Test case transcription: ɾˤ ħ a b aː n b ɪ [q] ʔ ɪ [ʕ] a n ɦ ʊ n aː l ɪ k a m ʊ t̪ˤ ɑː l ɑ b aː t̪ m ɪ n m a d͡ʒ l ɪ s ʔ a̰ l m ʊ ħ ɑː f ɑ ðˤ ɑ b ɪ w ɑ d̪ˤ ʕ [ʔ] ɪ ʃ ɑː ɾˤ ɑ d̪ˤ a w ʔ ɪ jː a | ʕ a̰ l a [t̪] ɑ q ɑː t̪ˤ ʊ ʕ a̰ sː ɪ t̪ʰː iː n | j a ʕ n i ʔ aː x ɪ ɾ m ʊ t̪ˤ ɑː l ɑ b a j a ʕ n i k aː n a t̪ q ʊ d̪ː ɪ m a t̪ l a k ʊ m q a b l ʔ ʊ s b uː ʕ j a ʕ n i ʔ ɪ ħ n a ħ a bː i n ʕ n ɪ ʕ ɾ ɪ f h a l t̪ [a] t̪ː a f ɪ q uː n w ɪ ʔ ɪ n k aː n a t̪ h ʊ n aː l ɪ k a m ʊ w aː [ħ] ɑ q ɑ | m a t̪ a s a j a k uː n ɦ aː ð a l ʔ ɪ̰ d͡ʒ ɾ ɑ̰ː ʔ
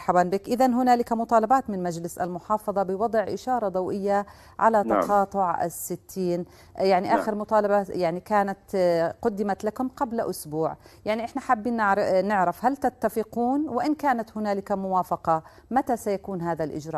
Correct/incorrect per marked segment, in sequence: incorrect, incorrect, correct, correct, correct, incorrect

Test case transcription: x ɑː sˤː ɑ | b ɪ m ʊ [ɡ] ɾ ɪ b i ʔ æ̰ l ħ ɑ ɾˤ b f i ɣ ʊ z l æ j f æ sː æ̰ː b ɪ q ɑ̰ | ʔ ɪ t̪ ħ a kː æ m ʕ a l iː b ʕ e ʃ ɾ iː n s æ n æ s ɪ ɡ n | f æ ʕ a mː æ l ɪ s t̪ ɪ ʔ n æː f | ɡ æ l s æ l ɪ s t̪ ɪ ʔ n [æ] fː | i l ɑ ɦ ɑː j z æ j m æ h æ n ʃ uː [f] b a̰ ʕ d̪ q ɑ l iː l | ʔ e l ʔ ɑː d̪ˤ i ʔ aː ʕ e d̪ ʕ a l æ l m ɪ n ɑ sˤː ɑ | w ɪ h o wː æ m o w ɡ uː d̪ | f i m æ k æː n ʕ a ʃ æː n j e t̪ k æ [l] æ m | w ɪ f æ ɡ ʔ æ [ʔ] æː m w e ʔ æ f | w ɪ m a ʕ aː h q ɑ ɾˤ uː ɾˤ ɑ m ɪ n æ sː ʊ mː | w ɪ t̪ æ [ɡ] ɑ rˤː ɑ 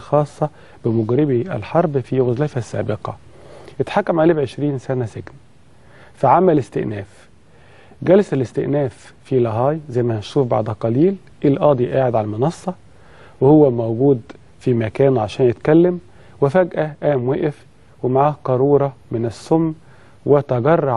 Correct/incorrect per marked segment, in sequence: correct, incorrect, correct, incorrect, correct, correct

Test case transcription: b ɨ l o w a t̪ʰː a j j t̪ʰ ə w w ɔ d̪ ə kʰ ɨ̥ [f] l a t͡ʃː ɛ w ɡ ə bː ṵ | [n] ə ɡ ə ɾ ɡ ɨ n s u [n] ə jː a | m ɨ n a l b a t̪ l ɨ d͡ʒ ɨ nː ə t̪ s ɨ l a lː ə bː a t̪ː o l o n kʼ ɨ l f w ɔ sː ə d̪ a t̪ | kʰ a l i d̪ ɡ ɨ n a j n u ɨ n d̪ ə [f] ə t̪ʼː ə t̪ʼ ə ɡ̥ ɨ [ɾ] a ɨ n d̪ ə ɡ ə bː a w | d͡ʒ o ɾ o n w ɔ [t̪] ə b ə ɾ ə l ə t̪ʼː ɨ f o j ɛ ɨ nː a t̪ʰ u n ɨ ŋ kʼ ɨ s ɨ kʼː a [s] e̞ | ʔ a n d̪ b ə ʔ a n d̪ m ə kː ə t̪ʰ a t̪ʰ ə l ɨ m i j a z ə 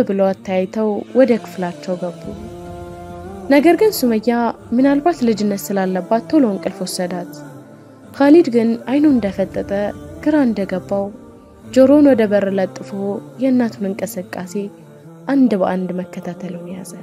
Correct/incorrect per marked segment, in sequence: correct, correct, incorrect, correct, correct, incorrect, correct

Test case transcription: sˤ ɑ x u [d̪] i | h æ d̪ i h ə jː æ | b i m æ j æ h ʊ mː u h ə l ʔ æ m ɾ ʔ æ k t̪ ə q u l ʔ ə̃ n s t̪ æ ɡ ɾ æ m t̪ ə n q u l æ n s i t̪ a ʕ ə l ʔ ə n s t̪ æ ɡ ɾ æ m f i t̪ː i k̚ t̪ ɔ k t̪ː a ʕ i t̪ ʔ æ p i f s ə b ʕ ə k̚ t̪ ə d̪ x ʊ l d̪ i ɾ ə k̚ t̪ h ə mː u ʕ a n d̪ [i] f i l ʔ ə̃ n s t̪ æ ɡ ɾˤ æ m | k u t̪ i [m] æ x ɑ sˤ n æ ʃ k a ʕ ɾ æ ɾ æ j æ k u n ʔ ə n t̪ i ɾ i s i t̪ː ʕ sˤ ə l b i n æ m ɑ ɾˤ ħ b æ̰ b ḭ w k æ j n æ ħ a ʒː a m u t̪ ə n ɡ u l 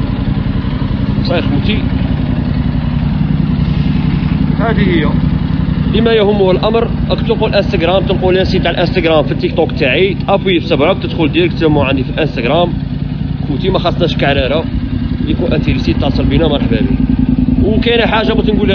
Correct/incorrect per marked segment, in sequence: incorrect, correct, correct

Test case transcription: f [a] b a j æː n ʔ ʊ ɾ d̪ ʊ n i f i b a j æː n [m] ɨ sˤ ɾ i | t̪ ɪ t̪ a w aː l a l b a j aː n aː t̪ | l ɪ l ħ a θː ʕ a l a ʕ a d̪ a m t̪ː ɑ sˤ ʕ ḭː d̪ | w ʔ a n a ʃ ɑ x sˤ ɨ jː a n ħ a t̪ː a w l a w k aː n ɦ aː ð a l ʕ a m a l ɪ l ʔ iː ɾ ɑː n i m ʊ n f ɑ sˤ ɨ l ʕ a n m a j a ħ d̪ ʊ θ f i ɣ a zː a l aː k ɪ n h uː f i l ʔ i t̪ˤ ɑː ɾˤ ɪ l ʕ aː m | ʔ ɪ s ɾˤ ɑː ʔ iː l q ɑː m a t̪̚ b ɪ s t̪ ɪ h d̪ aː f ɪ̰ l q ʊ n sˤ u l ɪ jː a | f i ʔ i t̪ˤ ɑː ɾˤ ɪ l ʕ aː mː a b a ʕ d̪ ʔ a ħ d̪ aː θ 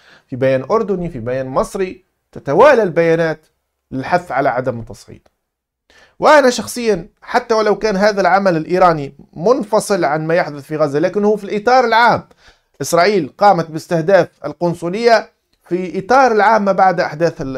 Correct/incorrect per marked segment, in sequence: incorrect, correct

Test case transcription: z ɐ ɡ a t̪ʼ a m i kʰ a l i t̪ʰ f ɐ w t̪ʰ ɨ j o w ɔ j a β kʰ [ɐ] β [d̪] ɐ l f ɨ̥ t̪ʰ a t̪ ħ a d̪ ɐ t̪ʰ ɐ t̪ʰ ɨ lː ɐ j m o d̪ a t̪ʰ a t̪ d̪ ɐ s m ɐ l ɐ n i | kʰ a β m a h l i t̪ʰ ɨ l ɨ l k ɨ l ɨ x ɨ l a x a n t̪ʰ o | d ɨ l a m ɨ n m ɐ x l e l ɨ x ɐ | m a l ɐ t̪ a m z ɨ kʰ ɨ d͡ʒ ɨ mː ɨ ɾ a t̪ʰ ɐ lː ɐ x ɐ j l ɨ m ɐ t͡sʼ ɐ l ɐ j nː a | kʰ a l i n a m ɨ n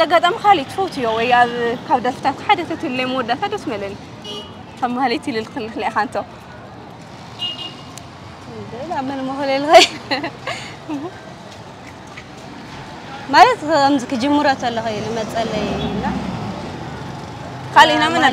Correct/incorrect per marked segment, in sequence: incorrect, correct

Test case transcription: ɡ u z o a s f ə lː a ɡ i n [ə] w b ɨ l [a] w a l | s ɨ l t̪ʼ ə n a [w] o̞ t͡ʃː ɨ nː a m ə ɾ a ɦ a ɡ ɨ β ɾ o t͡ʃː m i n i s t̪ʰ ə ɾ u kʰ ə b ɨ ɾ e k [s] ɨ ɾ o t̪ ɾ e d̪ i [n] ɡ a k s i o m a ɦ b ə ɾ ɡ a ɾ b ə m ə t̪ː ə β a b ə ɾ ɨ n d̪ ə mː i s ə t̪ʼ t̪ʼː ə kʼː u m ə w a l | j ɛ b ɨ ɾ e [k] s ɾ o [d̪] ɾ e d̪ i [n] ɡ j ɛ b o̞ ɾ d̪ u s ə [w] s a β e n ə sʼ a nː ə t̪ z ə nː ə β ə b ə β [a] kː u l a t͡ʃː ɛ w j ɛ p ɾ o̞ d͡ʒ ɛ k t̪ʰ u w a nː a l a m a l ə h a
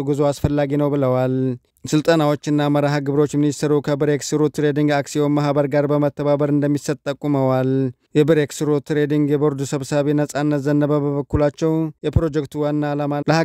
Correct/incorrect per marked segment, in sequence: correct, incorrect, correct, correct, incorrect, correct, incorrect, incorrect, incorrect, incorrect

